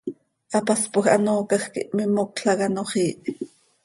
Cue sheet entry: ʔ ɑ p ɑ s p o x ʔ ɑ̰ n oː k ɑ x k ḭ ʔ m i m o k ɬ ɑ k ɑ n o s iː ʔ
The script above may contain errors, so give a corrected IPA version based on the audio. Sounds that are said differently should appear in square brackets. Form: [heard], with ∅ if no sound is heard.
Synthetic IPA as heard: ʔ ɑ p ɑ s p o x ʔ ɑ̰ n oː k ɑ x k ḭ ʔ m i m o k ɬ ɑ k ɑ n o [χ] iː ʔ